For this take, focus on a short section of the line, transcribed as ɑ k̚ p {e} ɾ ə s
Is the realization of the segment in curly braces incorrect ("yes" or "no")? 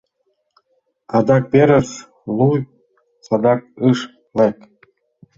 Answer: no